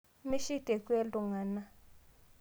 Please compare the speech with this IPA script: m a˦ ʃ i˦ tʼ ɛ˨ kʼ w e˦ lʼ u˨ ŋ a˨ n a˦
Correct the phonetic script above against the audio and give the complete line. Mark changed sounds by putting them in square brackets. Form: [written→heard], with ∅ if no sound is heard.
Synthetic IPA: m [a˦→i˦] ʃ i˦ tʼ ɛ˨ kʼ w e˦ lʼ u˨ ŋ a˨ n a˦